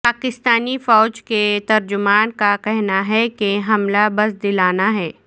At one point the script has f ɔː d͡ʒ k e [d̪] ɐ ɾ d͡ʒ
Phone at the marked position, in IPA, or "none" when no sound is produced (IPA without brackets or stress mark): t̪